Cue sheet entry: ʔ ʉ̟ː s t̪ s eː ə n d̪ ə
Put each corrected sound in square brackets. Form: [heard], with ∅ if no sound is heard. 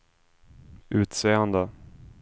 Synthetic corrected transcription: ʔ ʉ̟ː [∅] t̪ s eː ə n d̪ ə